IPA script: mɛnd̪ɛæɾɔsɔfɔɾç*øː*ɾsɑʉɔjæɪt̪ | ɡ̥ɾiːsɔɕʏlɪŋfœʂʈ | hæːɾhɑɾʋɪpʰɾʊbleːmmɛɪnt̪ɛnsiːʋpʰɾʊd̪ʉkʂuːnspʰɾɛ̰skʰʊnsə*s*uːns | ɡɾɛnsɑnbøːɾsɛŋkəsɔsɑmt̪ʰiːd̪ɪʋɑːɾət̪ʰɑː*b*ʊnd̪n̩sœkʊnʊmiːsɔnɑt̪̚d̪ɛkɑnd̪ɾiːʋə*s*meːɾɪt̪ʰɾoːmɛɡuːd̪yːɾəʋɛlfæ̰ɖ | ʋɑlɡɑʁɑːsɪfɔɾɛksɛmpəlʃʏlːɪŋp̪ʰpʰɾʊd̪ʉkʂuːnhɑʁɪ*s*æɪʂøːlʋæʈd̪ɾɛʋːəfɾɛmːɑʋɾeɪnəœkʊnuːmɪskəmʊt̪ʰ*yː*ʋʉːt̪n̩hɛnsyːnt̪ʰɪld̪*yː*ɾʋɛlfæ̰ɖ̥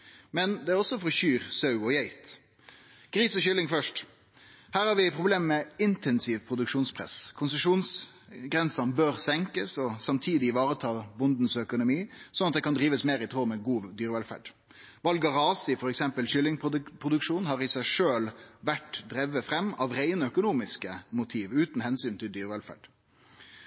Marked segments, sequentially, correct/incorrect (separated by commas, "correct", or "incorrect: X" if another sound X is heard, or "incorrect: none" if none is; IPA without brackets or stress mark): incorrect: yː, incorrect: ʂ, correct, correct, correct, incorrect: iː, correct